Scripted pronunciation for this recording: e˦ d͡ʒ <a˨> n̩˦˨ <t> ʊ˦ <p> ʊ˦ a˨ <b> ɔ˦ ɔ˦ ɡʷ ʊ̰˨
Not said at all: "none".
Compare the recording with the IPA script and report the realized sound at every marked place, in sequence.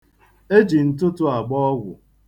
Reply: i˨, t, t, ɡ͡b

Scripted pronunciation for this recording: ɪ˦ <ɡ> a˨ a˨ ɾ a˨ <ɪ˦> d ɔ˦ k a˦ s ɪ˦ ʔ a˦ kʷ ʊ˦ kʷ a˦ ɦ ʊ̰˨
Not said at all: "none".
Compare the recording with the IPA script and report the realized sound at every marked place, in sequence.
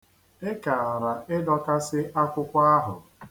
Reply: k, ɪ˦

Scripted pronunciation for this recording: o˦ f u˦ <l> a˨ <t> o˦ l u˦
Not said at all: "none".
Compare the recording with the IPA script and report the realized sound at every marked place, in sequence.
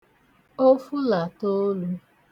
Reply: l, t

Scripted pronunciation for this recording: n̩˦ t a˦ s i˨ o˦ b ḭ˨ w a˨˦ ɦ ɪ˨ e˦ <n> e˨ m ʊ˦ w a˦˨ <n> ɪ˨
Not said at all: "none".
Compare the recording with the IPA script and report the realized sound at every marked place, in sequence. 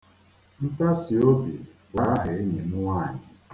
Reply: ɲ, ɲ

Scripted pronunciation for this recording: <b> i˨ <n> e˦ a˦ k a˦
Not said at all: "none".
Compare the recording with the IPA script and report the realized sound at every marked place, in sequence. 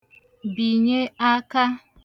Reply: b, ɲ

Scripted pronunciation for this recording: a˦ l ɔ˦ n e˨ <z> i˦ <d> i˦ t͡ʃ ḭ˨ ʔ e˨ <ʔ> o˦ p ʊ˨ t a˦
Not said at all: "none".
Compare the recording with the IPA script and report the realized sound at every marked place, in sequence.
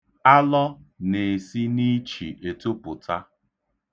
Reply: s, n, t

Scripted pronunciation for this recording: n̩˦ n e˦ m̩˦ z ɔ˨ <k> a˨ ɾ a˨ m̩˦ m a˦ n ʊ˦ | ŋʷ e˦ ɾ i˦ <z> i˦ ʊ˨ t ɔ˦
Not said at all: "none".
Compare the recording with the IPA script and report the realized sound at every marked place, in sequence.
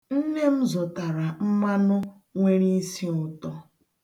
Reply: t, s

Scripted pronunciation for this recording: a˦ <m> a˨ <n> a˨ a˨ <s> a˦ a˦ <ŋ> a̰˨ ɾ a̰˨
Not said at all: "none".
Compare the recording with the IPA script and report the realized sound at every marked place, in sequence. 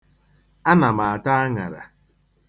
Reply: n, m, t, ŋ

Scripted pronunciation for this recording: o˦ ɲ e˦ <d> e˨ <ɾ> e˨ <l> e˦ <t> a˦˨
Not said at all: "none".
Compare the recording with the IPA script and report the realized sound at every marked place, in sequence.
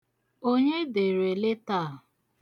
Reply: d, ɾ, l, t

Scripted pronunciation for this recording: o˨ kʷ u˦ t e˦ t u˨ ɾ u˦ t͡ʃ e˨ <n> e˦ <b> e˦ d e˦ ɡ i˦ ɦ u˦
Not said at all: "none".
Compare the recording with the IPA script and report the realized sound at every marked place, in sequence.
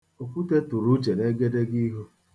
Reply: n, ɡ

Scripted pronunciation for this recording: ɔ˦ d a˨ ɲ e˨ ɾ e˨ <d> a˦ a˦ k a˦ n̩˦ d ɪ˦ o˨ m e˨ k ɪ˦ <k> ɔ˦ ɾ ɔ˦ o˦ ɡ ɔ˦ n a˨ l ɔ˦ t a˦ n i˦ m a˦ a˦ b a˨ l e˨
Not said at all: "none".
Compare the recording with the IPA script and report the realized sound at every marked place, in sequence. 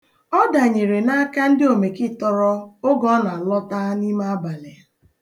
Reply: n, t

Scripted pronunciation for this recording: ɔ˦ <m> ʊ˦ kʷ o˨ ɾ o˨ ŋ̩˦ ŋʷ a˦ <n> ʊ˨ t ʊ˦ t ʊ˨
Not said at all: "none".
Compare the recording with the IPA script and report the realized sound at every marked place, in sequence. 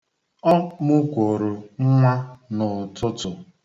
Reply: m, n

